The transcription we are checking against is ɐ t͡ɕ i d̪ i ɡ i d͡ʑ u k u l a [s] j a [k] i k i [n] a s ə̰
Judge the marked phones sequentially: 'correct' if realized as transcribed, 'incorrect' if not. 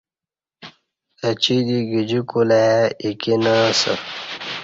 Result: incorrect, incorrect, correct

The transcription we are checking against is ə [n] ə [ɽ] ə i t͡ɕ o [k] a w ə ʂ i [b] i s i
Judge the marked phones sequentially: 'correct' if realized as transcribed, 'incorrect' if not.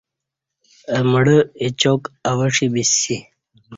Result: incorrect, correct, correct, correct

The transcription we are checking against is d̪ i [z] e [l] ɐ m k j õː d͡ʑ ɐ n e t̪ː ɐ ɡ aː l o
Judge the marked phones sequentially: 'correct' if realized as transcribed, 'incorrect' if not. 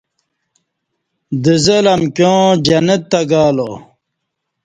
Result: correct, correct

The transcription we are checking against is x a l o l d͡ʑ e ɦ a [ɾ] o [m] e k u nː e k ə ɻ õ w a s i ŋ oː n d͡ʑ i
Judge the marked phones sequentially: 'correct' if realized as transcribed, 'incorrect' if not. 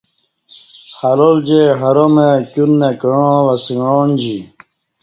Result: correct, correct

